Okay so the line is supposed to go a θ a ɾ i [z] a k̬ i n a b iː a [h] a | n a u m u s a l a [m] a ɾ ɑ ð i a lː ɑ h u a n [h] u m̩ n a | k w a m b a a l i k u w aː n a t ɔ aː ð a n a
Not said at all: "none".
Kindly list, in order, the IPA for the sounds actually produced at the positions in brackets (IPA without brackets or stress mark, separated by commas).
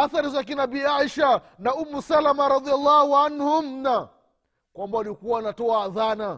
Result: z, ʃ, m, h